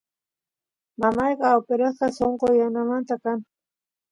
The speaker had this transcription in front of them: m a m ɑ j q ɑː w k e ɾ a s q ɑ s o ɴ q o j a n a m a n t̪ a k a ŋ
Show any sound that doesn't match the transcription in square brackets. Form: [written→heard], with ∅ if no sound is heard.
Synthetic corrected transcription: m a m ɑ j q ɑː w [k→p] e ɾ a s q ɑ s o ɴ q o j a n a m a n t̪ a k a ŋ